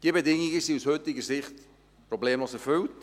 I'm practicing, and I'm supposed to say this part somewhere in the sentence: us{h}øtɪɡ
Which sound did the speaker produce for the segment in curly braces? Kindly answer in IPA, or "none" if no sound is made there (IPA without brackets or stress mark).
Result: h